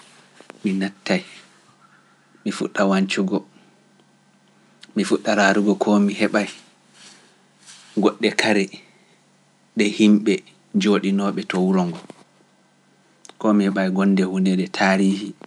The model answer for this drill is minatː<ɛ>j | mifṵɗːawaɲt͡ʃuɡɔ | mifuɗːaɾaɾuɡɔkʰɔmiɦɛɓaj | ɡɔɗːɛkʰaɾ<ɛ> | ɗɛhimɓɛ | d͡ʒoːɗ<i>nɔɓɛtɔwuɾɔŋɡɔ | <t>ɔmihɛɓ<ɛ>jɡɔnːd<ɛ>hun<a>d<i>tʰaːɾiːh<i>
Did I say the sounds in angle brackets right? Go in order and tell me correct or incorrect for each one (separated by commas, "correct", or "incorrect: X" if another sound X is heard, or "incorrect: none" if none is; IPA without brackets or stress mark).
incorrect: a, correct, correct, incorrect: k, incorrect: a, correct, incorrect: ɛ, incorrect: ɛ, correct